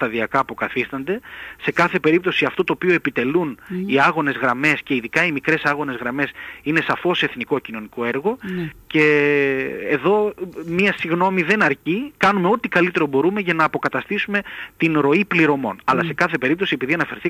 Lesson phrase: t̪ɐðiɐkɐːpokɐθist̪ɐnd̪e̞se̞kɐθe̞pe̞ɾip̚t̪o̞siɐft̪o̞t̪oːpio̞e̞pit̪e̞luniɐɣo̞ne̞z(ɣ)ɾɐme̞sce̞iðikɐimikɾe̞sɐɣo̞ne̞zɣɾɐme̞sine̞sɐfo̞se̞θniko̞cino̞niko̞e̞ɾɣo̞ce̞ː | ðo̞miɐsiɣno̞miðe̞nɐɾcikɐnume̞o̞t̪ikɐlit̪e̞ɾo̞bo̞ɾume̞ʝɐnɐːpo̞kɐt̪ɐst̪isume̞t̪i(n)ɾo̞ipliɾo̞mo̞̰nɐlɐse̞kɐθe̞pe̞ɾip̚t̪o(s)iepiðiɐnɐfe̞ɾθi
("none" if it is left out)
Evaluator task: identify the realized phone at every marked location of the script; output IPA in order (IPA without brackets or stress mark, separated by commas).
ɣ, n, s